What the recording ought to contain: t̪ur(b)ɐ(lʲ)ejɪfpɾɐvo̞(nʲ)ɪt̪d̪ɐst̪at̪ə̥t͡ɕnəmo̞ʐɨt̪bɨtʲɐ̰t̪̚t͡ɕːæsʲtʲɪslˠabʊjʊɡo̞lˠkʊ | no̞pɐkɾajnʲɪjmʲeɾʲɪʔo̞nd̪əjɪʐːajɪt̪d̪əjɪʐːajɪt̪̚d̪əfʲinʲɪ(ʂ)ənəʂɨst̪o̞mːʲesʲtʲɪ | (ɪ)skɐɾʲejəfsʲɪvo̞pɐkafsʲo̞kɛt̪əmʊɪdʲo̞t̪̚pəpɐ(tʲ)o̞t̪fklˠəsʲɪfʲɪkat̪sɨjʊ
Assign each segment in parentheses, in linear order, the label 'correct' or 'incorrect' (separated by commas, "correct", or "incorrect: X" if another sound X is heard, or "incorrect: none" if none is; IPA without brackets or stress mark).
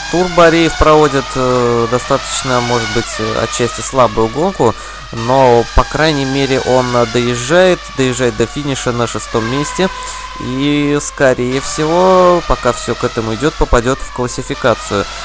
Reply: correct, incorrect: ɾʲ, incorrect: dʲ, correct, incorrect: i, incorrect: dʲ